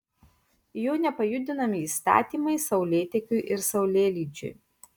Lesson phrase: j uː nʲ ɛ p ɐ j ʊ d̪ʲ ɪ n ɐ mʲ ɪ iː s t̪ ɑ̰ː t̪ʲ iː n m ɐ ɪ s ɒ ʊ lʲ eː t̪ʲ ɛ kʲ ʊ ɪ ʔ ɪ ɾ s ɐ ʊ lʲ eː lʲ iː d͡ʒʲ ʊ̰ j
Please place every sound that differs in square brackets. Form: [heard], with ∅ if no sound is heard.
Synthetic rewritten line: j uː nʲ ɛ p ɐ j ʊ d̪ʲ ɪ n ɐ mʲ ɪ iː s t̪ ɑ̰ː t̪ʲ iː [∅] m ɐ ɪ s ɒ ʊ lʲ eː t̪ʲ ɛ kʲ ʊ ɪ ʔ ɪ ɾ s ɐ ʊ lʲ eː lʲ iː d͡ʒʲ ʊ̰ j

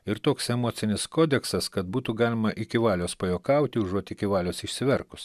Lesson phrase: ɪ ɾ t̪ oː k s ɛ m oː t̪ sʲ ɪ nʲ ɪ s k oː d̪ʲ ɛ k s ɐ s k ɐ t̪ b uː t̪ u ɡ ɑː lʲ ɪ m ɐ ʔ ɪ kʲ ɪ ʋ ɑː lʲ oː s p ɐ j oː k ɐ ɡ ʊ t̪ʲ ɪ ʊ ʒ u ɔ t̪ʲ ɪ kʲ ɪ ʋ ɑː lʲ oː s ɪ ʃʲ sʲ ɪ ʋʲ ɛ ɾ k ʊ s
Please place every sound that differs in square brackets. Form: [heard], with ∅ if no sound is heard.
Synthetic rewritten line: ɪ ɾ t̪ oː k s ɛ m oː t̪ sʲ ɪ nʲ ɪ s k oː d̪ʲ ɛ k s ɐ s k ɐ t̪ b uː t̪ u ɡ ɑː lʲ ɪ m ɐ ʔ ɪ kʲ ɪ ʋ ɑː lʲ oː s p ɐ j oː k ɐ [∅] ʊ t̪ʲ ɪ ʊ ʒ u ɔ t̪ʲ ɪ kʲ ɪ ʋ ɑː lʲ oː s ɪ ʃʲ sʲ ɪ ʋʲ ɛ ɾ k ʊ s

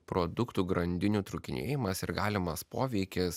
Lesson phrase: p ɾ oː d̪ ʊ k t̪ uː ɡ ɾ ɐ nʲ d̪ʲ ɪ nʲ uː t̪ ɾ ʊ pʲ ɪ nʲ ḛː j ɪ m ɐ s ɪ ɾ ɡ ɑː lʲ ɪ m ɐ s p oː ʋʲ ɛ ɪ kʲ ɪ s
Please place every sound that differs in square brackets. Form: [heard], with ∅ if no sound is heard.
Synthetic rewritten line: p ɾ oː d̪ ʊ k t̪ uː ɡ ɾ ɐ nʲ d̪ʲ ɪ nʲ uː t̪ ɾ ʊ [kʲ] ɪ nʲ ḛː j ɪ m ɐ s ɪ ɾ ɡ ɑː lʲ ɪ m ɐ s p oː ʋʲ ɛ ɪ kʲ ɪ s

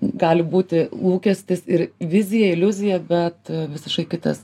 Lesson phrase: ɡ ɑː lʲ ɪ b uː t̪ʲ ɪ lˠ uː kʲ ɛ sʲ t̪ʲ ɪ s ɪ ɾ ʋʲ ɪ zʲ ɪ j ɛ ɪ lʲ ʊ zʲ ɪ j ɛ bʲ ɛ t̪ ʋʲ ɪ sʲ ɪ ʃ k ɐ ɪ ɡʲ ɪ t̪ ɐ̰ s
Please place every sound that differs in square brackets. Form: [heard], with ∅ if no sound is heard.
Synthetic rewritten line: ɡ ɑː lʲ ɪ b uː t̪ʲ ɪ lˠ uː kʲ ɛ sʲ t̪ʲ ɪ s ɪ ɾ ʋʲ ɪ zʲ ɪ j ɛ ɪ lʲ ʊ zʲ ɪ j ɛ bʲ ɛ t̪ ʋʲ ɪ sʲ ɪ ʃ k ɐ ɪ [kʲ] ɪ t̪ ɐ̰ s

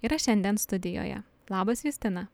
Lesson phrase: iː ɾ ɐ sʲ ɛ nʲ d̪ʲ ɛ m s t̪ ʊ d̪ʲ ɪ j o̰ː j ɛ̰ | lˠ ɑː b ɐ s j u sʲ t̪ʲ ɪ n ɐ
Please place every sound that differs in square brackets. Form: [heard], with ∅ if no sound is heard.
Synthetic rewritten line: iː ɾ ɐ [ʃʲ] ɛ nʲ d̪ʲ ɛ [n] s t̪ ʊ d̪ʲ ɪ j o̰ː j ɛ̰ | lˠ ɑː b ɐ s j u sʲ t̪ʲ ɪ n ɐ

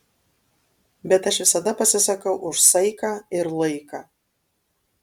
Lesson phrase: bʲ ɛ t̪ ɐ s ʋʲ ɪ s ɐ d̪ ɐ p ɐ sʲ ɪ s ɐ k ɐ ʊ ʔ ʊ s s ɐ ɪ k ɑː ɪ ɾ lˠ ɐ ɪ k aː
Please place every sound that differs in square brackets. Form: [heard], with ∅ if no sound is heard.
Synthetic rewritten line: bʲ ɛ t̪ ɐ [ʃ] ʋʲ ɪ s ɐ d̪ ɐ p ɐ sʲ ɪ s ɐ k ɐ ʊ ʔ ʊ [ʃ] s ɐ ɪ k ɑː ɪ ɾ lˠ ɐ ɪ k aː

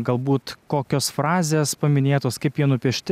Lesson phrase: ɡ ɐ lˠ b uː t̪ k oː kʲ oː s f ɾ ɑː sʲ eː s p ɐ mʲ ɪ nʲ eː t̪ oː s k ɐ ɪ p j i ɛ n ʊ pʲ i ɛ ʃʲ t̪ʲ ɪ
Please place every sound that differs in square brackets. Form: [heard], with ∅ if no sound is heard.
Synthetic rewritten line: ɡ ɐ lˠ b uː t̪ k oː kʲ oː s f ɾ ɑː [zʲ] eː s p ɐ mʲ ɪ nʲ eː t̪ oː s k ɐ ɪ p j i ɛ n ʊ pʲ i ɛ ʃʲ t̪ʲ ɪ

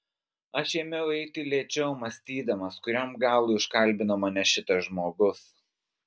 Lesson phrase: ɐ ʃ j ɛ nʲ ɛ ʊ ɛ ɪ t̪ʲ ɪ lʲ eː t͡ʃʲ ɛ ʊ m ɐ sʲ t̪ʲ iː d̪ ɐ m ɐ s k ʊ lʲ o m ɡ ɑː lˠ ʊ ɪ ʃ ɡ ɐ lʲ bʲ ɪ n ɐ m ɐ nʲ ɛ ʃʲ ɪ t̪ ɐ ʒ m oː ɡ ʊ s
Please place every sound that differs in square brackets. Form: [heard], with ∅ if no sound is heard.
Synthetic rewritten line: ɐ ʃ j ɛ [mʲ] ɛ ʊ ɛ ɪ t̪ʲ ɪ lʲ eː t͡ʃʲ ɛ ʊ m ɐ sʲ t̪ʲ iː d̪ ɐ m ɐ s k ʊ [ɾʲ] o m ɡ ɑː lˠ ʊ ɪ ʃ [k] ɐ lʲ bʲ ɪ n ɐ m ɐ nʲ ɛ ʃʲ ɪ t̪ ɐ ʒ m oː ɡ ʊ s

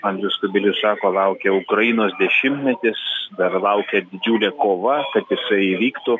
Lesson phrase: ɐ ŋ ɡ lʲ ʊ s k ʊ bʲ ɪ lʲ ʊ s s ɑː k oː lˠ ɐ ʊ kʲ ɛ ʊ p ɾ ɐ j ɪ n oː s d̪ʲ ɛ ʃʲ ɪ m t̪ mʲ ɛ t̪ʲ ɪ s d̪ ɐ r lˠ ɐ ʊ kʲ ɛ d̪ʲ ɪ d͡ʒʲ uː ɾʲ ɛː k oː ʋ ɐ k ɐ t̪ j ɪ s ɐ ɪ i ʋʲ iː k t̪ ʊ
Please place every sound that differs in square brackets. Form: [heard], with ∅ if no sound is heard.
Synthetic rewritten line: ɐ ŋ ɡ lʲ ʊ s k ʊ bʲ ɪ lʲ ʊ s s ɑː k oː lˠ ɐ ʊ kʲ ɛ ʊ [k] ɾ ɐ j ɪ n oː s d̪ʲ ɛ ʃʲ ɪ m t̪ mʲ ɛ t̪ʲ ɪ s d̪ ɐ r lˠ ɐ ʊ kʲ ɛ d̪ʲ ɪ d͡ʒʲ uː [lʲ] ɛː k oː ʋ ɐ k ɐ t̪ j ɪ s ɐ ɪ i ʋʲ iː k t̪ ʊ

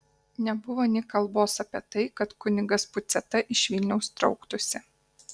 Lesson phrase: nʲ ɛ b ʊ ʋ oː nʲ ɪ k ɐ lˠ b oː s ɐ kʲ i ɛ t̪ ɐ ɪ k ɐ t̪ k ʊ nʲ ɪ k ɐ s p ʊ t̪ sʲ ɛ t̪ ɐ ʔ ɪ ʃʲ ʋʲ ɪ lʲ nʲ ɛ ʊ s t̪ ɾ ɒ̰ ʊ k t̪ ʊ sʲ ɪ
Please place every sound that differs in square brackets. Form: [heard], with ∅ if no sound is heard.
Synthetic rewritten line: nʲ ɛ b ʊ ʋ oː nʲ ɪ k ɐ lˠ b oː s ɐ [pʲ] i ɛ t̪ ɐ ɪ k ɐ t̪ k ʊ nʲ ɪ [ɡ] ɐ s p ʊ t̪ sʲ ɛ t̪ ɐ ʔ ɪ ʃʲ ʋʲ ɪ lʲ nʲ ɛ ʊ s t̪ ɾ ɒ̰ ʊ k t̪ ʊ sʲ ɪ

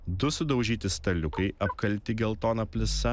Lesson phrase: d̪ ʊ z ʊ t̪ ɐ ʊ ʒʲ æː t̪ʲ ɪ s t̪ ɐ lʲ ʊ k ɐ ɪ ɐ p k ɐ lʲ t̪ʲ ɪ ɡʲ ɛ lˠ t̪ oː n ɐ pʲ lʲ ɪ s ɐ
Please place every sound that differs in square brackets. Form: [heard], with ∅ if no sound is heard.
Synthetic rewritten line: d̪ ʊ [s] ʊ [d̪] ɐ ʊ ʒʲ [iː] t̪ʲ ɪ s t̪ ɐ lʲ ʊ k ɐ ɪ ɐ p k ɐ lʲ t̪ʲ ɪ ɡʲ ɛ lˠ t̪ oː n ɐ pʲ lʲ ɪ s ɐ

